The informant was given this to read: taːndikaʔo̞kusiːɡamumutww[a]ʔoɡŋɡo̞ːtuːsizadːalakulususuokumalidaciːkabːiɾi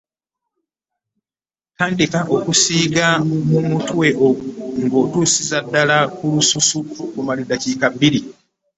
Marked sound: incorrect: e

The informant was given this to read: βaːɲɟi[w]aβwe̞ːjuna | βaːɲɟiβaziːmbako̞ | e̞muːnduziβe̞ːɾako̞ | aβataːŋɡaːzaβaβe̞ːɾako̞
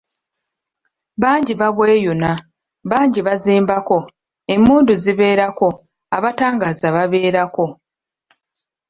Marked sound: incorrect: β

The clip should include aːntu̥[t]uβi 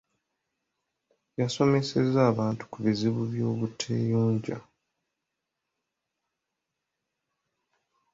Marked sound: incorrect: k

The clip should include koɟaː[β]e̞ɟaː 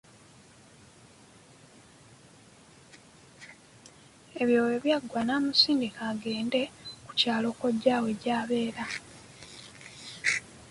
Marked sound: incorrect: w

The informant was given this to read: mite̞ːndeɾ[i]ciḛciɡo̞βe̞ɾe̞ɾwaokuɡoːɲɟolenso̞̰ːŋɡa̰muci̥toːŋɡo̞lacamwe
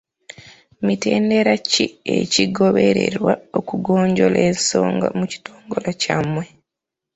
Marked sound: incorrect: a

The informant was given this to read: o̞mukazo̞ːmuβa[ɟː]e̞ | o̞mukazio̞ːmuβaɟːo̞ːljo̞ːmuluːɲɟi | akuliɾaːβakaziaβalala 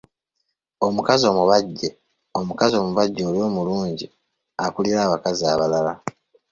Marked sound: correct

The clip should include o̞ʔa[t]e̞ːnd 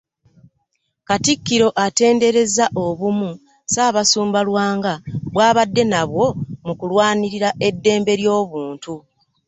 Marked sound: correct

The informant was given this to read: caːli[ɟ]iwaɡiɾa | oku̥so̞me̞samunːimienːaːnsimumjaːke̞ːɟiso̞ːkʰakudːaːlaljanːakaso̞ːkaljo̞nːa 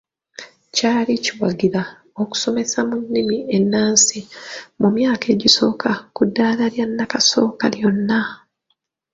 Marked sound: incorrect: c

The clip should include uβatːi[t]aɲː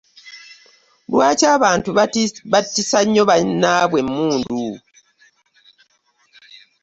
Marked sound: incorrect: s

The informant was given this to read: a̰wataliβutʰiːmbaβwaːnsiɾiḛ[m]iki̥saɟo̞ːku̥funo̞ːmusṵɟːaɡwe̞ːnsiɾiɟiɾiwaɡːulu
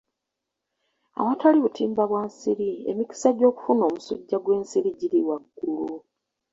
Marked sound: correct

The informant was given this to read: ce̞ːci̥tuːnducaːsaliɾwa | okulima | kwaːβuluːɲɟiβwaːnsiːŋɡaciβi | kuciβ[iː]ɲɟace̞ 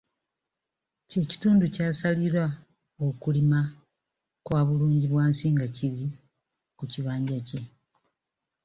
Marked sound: incorrect: aː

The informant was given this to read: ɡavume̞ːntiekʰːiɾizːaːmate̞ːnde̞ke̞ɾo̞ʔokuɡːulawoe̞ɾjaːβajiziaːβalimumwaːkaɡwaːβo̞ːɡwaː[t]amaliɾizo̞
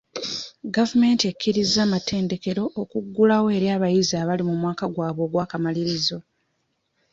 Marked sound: incorrect: k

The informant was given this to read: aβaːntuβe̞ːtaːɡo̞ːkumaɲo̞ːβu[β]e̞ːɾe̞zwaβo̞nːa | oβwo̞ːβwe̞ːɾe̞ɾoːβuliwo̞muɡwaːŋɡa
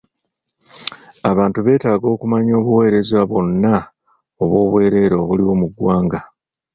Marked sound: incorrect: w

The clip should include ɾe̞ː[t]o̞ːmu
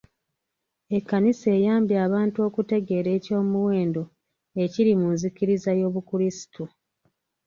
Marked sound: incorrect: c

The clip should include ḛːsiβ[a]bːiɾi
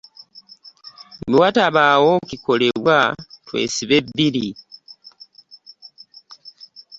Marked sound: incorrect: e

